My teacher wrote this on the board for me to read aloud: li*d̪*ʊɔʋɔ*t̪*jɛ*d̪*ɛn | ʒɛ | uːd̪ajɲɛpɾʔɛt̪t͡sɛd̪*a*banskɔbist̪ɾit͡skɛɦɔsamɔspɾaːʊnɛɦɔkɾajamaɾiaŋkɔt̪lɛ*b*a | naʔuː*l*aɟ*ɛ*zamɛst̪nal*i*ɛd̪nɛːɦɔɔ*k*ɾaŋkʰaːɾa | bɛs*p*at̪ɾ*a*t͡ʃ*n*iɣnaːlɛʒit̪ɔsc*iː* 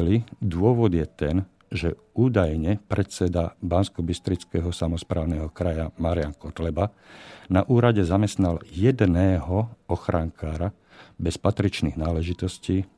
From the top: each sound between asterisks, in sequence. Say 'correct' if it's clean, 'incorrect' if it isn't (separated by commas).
correct, incorrect, incorrect, correct, correct, incorrect, correct, incorrect, incorrect, correct, incorrect, correct, correct